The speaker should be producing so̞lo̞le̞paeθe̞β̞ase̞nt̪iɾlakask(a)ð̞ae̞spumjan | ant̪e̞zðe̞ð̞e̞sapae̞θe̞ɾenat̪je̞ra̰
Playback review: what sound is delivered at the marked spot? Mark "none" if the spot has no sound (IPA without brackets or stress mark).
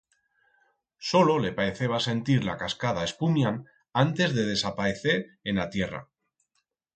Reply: a